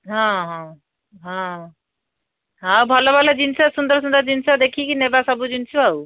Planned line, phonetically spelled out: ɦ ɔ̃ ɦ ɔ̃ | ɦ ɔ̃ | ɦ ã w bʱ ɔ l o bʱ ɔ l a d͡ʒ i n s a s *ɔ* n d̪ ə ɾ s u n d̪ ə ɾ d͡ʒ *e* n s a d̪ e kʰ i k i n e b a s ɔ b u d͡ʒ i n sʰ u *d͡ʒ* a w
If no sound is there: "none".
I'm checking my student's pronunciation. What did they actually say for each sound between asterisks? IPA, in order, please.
u, i, none

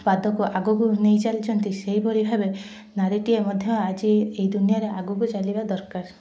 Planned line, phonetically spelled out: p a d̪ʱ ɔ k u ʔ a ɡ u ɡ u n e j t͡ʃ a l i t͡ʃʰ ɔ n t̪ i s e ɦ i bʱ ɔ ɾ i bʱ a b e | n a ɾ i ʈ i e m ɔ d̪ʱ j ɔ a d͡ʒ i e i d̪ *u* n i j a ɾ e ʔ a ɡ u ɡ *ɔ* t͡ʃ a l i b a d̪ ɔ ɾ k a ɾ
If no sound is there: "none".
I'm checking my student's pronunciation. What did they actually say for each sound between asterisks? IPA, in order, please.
u, u

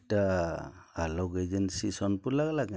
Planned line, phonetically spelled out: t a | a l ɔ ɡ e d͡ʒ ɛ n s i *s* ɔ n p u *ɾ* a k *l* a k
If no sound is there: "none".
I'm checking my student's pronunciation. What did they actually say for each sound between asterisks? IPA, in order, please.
s, l, l

